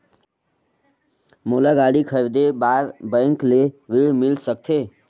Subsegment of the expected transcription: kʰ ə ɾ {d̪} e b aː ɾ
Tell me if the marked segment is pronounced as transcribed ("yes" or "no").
yes